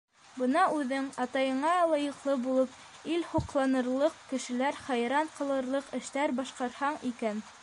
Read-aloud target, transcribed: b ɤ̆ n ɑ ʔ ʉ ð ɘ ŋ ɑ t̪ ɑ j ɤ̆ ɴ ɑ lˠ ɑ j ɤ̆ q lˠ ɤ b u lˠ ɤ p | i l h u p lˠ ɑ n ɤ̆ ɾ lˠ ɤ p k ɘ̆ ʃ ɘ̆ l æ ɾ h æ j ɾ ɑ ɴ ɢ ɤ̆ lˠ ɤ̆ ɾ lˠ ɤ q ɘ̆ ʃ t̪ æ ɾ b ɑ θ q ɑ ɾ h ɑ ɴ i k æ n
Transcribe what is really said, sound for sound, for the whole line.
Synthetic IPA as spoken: b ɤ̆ n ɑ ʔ ʉ ð ɘ ŋ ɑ t̪ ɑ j ɤ̆ ɴ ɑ lˠ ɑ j ɤ̆ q lˠ ɤ b u lˠ ɤ p | i l h u q lˠ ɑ n ɤ̆ ɾ lˠ ɤ q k ɘ̆ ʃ ɘ̆ l æ ɾ χ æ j ɾ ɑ ɴ q ɤ̆ lˠ ɤ̆ ɾ lˠ ɤ q ɘ̆ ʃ t̪ æ ɾ b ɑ ʃ q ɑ ɾ h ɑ ɴ i k æ n